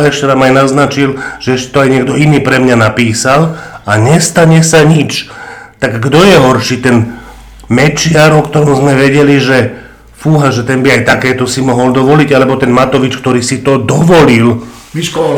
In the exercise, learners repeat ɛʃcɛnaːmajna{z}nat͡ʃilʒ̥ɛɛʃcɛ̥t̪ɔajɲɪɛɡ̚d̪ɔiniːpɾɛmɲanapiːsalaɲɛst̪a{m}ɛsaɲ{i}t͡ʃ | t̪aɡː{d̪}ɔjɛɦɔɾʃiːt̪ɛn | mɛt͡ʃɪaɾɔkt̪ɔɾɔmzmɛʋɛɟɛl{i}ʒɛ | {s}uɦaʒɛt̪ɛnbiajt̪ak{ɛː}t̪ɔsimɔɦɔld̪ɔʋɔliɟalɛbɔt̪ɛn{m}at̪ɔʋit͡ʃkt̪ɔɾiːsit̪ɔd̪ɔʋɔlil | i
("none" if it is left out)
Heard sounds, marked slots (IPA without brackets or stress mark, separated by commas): z, ɲ, i, d̪, i, f, ɛː, m